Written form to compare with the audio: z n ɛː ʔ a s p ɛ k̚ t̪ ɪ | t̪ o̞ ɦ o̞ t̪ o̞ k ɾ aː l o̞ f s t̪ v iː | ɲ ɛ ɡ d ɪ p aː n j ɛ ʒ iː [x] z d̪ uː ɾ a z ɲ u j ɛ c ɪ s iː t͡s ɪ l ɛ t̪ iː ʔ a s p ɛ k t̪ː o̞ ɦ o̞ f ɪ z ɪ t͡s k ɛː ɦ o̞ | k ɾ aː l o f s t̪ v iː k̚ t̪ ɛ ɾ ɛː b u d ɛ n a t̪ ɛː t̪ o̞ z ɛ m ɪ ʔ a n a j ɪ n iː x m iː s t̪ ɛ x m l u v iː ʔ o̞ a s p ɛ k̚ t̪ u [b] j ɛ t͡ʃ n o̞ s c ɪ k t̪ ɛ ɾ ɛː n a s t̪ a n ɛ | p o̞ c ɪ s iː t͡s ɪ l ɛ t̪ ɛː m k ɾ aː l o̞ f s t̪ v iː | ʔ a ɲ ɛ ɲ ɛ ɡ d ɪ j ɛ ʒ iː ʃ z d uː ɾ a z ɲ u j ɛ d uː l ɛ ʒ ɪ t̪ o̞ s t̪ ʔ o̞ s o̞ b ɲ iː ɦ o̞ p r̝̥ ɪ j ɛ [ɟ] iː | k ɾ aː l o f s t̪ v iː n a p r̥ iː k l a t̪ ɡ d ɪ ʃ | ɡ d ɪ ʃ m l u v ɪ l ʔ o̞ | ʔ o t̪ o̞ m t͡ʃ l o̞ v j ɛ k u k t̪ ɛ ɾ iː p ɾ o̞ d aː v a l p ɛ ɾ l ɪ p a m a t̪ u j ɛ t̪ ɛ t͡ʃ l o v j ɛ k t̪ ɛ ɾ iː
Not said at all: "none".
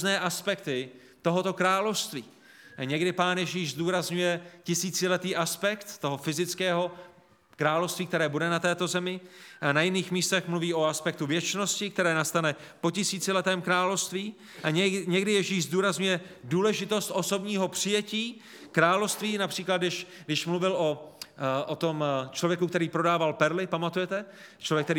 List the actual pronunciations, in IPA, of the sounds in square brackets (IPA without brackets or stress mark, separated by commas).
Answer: ʃ, v, c